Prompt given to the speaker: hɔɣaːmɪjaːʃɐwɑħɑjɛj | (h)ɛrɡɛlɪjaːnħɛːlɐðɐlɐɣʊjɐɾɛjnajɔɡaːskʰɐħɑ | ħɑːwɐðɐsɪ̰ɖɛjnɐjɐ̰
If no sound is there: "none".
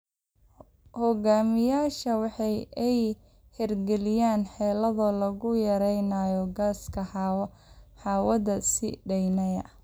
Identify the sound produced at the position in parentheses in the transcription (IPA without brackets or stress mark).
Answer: h